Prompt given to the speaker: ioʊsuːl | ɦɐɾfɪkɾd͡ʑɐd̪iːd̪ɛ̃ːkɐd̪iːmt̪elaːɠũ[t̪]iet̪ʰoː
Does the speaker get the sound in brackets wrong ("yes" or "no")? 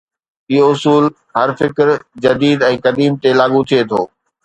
yes